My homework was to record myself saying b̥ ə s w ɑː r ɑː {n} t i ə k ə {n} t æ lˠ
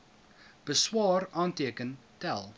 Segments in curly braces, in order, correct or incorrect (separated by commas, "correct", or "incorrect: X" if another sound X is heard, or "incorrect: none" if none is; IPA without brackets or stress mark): correct, correct